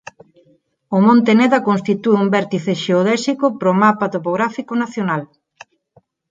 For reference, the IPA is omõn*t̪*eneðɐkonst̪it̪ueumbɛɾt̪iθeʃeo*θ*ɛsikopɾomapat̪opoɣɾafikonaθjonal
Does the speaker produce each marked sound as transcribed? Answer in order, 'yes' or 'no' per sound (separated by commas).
yes, no